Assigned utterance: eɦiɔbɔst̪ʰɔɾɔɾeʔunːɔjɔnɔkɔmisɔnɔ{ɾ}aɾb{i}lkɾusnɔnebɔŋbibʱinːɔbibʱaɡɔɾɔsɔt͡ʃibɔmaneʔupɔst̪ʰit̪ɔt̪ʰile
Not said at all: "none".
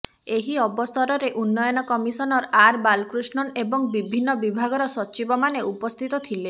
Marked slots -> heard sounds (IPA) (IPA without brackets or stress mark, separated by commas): ɾ, a